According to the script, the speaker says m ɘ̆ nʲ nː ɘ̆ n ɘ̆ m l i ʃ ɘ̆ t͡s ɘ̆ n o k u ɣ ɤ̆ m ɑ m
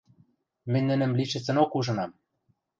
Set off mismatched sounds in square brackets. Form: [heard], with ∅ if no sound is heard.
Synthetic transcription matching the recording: m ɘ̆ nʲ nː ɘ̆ n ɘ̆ m l i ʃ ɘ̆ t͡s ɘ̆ n o k u [ʒ] ɤ̆ [n] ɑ m